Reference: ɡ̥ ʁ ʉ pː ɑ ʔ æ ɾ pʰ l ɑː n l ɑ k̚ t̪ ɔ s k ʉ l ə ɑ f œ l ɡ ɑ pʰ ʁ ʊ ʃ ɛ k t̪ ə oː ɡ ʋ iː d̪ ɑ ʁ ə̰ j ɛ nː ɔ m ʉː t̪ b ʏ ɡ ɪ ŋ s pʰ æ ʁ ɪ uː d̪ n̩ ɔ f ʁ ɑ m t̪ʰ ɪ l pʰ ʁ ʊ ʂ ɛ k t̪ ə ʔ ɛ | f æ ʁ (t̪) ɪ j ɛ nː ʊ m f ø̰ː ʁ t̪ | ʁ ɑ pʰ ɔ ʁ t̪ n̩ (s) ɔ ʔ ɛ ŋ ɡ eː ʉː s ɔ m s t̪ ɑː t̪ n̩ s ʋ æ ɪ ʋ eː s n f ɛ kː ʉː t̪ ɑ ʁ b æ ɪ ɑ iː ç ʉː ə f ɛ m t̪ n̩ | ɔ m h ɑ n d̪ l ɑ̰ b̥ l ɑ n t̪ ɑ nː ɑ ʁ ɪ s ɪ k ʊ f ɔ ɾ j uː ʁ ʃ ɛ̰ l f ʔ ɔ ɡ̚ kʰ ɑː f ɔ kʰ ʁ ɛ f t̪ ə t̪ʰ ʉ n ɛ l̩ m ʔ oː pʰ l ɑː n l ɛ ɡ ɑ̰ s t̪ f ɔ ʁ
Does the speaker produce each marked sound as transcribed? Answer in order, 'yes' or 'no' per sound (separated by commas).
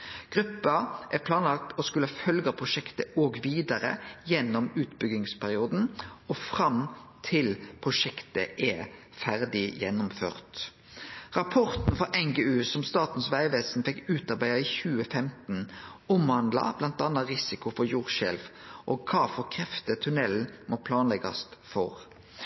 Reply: no, no